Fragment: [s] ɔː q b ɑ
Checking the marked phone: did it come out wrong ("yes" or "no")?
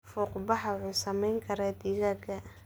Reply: yes